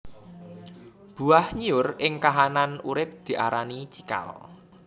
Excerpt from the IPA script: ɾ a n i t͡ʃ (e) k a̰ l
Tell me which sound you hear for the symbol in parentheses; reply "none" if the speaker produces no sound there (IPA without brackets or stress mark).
i